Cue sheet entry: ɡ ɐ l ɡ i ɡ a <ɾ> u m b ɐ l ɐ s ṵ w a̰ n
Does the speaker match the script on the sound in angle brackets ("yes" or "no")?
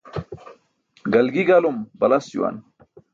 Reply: no